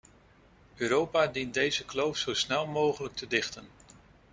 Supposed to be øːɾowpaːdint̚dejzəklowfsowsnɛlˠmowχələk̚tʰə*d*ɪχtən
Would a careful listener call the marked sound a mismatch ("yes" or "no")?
no